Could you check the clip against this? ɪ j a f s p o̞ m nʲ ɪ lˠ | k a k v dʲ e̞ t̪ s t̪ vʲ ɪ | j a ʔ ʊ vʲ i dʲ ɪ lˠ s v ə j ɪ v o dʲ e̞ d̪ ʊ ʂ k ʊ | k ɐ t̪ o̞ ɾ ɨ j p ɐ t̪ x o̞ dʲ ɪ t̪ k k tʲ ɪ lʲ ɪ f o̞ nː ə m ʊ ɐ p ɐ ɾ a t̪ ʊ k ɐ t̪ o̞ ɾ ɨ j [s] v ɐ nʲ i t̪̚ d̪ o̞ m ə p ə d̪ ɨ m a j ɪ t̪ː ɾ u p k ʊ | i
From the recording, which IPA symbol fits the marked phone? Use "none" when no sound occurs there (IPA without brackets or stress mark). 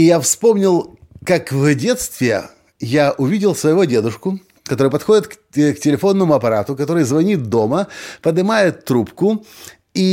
z